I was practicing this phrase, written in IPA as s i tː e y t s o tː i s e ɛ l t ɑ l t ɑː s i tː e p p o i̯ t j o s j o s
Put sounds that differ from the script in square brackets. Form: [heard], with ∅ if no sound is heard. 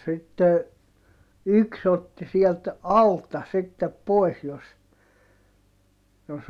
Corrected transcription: s i tː e y [k] s o tː i s [i] ɛ l t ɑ l t [ɑ] s i tː e p p o i̯ [s] j o s j o s